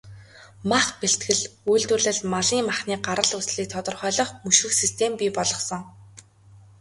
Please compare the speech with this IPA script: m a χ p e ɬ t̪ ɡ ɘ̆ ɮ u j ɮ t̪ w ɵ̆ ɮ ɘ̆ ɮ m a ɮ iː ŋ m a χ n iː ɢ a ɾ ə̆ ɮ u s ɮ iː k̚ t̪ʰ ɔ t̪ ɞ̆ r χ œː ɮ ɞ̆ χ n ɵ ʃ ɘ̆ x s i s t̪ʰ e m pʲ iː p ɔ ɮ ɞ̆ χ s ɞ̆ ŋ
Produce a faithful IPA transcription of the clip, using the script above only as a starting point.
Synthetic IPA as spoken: m a χ p e ɬ t̪ ɡ ɘ̆ ɮ u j ɮ t̪ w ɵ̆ ɮ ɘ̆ ɮ m a ɮ iː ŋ m a χ n iː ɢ a ɾ ə̆ ɮ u s ɮ iː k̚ t̪ʰ ɔ t̪ ɞ̆ r χ œː ɮ ɞ̆ χ m ɵ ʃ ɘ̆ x s i s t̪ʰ e m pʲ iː p ɔ ɮ ɞ̆ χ s ɞ̆ ŋ